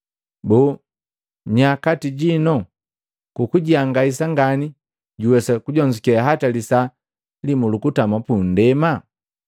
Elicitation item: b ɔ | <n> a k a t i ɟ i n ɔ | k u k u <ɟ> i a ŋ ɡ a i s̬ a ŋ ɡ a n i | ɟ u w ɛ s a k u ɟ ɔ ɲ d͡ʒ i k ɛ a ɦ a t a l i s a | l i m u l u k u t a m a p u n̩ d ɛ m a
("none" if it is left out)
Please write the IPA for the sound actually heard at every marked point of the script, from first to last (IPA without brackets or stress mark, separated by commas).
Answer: ɲ, ɟ